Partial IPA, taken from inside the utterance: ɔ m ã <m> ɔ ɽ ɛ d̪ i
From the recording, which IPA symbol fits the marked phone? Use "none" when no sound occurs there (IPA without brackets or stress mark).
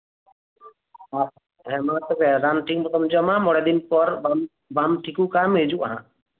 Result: m